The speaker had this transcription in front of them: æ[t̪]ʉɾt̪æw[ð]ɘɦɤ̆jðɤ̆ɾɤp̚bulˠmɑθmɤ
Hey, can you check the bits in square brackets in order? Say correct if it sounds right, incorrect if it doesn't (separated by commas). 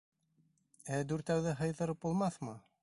incorrect, correct